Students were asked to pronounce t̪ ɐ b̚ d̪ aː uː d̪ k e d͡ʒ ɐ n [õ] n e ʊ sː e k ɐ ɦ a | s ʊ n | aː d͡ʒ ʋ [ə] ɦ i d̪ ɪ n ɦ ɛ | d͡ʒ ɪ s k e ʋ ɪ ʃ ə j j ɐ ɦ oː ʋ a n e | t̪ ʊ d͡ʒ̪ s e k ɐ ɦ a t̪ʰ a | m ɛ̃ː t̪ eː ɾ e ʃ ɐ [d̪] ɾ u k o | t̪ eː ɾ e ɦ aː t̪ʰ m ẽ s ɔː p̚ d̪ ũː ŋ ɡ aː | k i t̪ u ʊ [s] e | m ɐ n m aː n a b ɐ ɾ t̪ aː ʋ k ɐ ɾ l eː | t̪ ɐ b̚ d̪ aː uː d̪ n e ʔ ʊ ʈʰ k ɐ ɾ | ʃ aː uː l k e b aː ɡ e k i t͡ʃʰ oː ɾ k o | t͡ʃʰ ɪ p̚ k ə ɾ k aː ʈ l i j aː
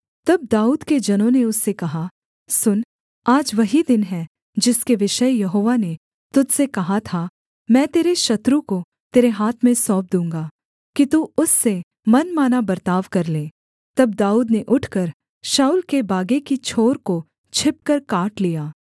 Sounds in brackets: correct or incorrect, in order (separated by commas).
correct, incorrect, incorrect, incorrect